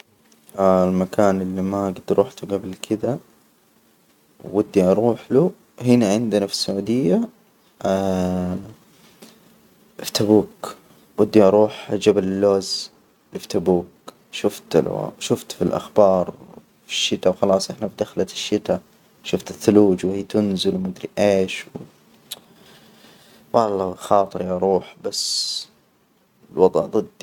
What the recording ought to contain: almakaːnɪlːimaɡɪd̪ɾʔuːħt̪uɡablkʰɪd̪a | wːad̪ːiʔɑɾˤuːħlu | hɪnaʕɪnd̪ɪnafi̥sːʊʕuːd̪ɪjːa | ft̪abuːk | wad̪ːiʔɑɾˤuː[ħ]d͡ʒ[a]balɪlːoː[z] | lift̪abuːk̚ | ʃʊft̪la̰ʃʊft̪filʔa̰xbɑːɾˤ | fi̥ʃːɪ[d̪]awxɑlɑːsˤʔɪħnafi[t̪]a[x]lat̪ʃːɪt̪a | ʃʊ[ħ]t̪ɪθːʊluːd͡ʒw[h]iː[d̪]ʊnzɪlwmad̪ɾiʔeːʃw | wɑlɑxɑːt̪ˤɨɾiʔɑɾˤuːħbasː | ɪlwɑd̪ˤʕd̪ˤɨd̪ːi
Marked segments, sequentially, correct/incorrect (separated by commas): correct, correct, correct, incorrect, incorrect, correct, incorrect, correct, incorrect